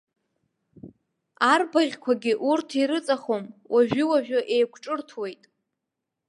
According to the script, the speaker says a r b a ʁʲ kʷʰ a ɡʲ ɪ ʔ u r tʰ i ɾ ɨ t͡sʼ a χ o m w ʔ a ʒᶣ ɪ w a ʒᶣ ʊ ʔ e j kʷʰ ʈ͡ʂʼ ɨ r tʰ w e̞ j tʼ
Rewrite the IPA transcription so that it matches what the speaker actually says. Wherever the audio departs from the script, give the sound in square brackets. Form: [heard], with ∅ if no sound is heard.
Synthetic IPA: a r b a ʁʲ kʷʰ a ɡʲ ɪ ʔ u r tʰ i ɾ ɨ t͡sʼ a χ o m w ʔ a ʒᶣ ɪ w a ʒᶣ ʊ ʔ e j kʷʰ ʈ͡ʂʼ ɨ r tʰ w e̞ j tʼ